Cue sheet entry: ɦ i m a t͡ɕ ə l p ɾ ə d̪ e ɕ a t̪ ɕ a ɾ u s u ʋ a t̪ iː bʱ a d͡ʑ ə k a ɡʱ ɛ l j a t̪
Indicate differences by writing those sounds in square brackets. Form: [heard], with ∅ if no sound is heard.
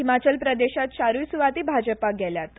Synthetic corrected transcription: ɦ i m a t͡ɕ ə l p ɾ ə d̪ e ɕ a t̪ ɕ a ɾ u s u ʋ a t̪ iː bʱ a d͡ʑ ə [p] a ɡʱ ɛ l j a t̪